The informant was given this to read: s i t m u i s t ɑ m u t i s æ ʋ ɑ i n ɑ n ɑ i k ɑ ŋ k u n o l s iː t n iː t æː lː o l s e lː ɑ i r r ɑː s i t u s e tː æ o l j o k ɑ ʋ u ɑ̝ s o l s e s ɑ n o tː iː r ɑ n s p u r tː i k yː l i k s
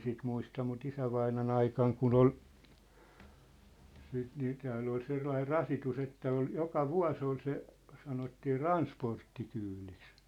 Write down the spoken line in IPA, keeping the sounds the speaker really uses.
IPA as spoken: s i t m u i s t ɑ m u t i s æ ʋ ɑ i n ɑ n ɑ i k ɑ ŋ k u n o l s iː t n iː t æː lː o l s e lː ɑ i r r ɑ s i t u s e tː æ o l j o k ɑ ʋ u ɑ̝ s o l s e s ɑ n o tː iː r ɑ n s p o r tː i k yː l i k s

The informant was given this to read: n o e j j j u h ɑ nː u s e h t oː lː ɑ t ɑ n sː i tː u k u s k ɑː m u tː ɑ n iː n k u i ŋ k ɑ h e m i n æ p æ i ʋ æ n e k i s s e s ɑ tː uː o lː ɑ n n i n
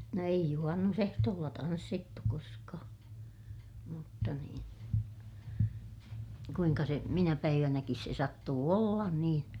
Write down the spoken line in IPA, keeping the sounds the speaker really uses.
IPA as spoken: n o e i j j u h ɑ nː u s e h t oː lː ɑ t ɑ n sː i tː u k o s k ɑː m u tː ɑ n iː n k u i ŋ k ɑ s e m i n æ p æ i ʋ æ n æ k i s s e s ɑ tː uː o lː ɑ n n iː n

